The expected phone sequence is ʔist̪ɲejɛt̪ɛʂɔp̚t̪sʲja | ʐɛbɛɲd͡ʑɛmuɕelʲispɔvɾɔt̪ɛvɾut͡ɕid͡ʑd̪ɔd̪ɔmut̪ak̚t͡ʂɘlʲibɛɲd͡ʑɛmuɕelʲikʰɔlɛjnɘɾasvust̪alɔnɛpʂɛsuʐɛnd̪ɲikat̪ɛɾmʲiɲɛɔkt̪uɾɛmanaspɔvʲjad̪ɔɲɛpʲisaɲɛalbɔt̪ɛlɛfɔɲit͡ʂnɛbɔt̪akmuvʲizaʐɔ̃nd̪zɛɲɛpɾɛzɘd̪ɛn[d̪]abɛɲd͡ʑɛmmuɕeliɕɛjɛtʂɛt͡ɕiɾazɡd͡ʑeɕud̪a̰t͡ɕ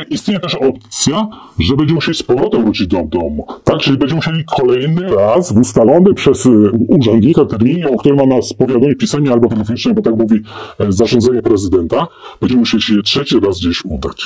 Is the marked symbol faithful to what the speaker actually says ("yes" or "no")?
no